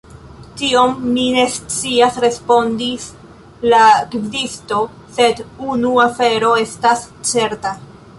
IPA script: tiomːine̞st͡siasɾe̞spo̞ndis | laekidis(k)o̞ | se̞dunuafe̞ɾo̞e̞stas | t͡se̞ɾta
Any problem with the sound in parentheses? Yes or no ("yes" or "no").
yes